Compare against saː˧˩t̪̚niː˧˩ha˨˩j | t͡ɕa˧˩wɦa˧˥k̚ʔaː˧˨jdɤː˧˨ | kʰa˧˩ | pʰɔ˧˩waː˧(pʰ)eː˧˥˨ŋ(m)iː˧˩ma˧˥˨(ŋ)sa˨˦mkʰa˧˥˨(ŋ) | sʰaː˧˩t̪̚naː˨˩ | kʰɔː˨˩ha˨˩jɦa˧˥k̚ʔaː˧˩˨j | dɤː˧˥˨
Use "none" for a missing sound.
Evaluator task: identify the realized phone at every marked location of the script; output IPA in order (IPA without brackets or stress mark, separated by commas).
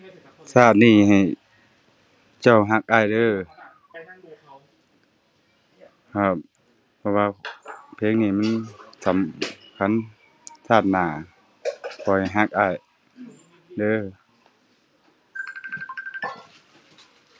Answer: pʰ, n, n, n